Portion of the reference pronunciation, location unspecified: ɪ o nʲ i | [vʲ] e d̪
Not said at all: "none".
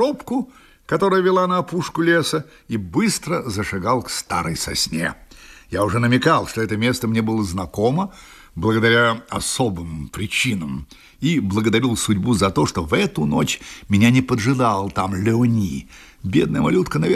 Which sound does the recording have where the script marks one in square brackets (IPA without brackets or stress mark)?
bʲ